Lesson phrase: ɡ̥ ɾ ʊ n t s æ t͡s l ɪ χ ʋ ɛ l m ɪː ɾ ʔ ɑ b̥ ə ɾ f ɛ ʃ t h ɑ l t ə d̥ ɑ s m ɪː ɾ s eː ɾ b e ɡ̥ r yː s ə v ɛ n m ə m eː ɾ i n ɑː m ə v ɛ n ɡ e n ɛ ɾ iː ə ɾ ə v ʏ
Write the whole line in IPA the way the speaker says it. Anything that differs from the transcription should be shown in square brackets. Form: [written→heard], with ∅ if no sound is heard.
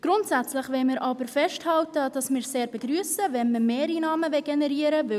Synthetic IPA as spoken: ɡ̥ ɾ ʊ n t s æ t͡s l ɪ χ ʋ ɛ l m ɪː ɾ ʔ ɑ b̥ ə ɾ f ɛ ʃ t h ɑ l t ə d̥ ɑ s m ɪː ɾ s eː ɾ b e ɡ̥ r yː s ə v ɛ n m ə m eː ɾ i n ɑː m ə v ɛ [n→∅] ɡ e n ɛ ɾ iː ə ɾ ə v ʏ

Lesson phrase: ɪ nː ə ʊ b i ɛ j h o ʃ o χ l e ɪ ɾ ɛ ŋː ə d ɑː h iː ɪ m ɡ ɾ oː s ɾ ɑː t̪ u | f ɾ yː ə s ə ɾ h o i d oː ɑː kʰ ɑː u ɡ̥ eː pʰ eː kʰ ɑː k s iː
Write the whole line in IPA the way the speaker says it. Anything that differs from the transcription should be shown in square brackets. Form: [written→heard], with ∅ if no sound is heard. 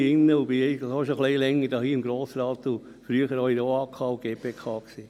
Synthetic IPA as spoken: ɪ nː ə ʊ b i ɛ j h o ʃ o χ l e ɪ [ɾ→l] ɛ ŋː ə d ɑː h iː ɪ m ɡ ɾ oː s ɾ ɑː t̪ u | f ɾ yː ə [s→χ] ə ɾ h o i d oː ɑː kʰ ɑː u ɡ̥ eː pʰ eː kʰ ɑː k s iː

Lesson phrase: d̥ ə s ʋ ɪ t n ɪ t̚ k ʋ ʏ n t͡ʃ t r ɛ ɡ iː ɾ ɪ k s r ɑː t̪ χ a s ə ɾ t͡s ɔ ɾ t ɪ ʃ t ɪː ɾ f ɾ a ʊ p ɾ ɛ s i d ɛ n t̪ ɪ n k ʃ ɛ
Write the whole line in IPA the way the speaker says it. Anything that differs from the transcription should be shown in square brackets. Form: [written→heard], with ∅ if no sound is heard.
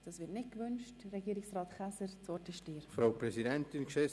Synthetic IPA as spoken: d̥ [ə→ɑ] s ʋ ɪ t n ɪ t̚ k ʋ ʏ n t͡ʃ t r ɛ ɡ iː ɾ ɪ k s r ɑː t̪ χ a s ə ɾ t͡s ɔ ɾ t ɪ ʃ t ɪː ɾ f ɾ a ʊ p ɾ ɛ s i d ɛ n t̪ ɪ n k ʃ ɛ

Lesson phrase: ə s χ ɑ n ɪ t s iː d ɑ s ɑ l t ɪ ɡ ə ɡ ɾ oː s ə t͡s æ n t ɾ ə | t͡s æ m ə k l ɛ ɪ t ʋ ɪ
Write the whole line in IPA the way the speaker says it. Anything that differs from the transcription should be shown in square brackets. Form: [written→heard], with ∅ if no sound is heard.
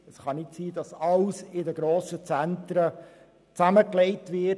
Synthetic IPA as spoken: ə s χ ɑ n ɪ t s iː d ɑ s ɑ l [t→s] ɪ [ɡ→d] ə ɡ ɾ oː s ə t͡s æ n t ɾ ə | t͡s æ m ə k l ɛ ɪ t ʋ ɪ

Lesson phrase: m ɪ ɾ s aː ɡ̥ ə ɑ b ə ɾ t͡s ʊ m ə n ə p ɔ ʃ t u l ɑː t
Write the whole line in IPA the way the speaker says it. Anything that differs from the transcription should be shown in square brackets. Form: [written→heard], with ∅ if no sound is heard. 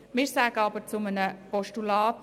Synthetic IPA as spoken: m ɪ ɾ s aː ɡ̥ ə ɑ b ə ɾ t͡s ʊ m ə n ə p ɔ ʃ t u l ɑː t

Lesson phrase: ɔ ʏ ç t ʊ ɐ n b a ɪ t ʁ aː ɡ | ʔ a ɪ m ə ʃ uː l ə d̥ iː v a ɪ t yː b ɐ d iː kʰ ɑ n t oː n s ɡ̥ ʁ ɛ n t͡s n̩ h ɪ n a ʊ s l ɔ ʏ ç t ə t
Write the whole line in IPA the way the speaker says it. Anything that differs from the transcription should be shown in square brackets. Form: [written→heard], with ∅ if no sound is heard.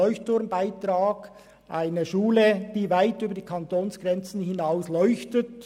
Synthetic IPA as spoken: ɔ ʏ ç t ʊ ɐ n b a ɪ t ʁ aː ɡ | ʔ a ɪ [m→n] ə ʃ uː l ə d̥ iː v a ɪ t yː b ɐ d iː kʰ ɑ n t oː n s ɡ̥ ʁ ɛ n t͡s n̩ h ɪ n a ʊ s l ɔ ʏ ç t ə t

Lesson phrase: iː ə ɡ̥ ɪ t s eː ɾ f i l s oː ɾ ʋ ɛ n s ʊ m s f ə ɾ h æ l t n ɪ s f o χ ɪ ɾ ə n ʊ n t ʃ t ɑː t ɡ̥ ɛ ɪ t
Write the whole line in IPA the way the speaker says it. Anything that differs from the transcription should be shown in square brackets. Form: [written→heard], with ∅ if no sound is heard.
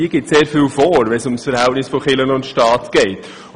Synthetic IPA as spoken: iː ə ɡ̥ ɪ t s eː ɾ f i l [s→f] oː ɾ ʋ ɛ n s ʊ m s f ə ɾ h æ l t n ɪ s f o χ ɪ [ɾ→l] ə n ʊ n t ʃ t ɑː t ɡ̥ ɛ ɪ t

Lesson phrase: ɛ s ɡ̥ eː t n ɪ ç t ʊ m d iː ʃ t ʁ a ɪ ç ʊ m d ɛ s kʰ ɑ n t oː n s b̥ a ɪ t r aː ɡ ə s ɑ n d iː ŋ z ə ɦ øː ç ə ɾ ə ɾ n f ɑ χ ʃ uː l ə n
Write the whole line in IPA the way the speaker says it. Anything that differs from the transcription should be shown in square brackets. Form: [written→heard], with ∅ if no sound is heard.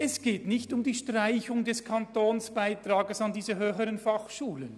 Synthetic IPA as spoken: ɛ s ɡ̥ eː t n ɪ ç t ʊ m d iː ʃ t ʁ a ɪ ç ʊ [m→ŋ] d ɛ s kʰ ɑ n t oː n s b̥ a ɪ t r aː ɡ ə s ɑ n d iː [ŋ→∅] z ə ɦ øː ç ə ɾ ə [ɾ→∅] n f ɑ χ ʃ uː l ə n

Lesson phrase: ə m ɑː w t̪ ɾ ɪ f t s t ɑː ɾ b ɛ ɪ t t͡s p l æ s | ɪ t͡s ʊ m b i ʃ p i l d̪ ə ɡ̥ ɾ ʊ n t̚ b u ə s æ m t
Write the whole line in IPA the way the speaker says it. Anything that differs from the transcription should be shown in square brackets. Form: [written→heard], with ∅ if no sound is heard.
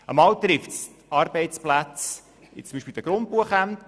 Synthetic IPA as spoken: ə m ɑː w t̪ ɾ ɪ f t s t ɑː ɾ b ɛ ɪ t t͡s p l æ [s→t͡s] | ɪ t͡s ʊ m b i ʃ p i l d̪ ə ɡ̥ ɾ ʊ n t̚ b u ə [s→χ] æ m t

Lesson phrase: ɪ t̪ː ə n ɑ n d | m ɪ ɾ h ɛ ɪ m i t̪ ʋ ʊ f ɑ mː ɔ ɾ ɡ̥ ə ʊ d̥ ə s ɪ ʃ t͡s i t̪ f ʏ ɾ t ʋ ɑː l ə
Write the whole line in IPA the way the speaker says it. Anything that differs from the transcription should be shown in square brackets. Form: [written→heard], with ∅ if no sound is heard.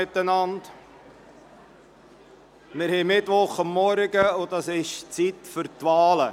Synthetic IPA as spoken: ɪ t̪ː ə n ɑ n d | m ɪ ɾ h ɛ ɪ m [i→ɪ] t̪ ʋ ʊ [f→χ] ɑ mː ɔ ɾ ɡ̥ ə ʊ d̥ [ə→ɑ] s ɪ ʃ t͡s i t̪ f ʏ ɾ t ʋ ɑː l ə

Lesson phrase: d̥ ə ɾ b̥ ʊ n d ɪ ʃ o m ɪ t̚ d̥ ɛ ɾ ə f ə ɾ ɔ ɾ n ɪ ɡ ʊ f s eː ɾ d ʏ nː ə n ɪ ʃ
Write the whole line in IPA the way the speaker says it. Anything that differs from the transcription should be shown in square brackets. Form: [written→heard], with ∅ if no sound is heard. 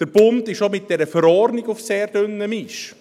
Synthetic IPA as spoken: d̥ ə ɾ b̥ ʊ n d ɪ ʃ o m ɪ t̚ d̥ ɛ ɾ ə f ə ɾ ɔ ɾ n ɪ ɡ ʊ f s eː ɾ d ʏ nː ə [n→m] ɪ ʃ

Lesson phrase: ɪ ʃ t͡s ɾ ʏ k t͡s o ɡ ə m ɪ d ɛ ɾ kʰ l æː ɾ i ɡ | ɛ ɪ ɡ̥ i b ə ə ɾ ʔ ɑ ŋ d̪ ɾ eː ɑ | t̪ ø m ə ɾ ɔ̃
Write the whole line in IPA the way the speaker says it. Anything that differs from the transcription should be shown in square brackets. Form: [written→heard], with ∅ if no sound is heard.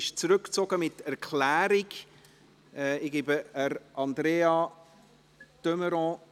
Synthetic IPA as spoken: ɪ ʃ t͡s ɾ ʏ k t͡s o ɡ ə m ɪ [d→t] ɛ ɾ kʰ l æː ɾ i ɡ | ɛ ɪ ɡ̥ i b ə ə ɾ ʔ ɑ [ŋ→n] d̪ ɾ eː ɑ | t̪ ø m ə ɾ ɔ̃

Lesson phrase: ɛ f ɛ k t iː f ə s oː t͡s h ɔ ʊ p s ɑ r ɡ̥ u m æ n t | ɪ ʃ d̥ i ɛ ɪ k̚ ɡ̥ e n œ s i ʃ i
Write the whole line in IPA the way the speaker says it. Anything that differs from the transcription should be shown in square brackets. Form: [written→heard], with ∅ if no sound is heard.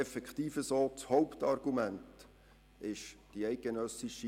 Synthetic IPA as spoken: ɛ f ɛ k t iː f ə s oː t͡s h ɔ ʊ p [s→t] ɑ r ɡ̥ u m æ n t | ɪ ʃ d̥ i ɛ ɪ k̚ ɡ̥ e n œ s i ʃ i

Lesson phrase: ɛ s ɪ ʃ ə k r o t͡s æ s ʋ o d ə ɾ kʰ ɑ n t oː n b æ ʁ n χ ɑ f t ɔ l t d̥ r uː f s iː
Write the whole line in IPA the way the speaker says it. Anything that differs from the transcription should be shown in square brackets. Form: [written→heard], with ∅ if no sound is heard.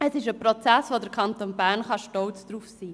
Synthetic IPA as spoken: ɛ s ɪ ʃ ə [k→p] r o t͡s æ s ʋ o d ə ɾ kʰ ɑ n t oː n b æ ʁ n χ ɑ [f→ʃ] t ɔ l [t→t͡s] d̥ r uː f s iː

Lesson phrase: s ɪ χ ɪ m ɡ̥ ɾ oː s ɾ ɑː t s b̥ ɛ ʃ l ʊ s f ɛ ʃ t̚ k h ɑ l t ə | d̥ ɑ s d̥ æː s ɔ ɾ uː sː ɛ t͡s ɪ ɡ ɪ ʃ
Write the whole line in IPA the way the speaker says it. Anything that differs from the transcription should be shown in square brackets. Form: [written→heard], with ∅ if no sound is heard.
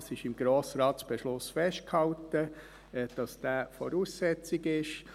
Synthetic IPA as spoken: s ɪ [χ→ʃ] ɪ m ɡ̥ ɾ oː s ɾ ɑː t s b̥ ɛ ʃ l ʊ s f ɛ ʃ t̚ k h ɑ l t ə | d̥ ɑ s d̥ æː [s→f] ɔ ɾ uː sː ɛ t͡s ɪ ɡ ɪ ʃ

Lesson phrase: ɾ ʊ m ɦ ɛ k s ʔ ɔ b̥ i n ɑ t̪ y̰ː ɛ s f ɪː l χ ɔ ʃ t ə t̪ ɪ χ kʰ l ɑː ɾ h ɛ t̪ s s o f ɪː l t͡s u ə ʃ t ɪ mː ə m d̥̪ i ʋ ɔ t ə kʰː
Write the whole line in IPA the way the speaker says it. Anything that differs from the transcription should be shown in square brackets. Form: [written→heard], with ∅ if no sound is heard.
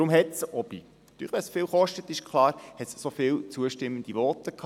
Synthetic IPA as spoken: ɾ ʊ m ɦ ɛ [k→t] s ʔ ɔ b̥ i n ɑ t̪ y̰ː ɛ s f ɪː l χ ɔ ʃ t ə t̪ ɪ [χ→ʃ] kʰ l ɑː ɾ h ɛ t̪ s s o f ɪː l t͡s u ə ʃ t ɪ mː ə [m→n] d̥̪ i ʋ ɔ t ə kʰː

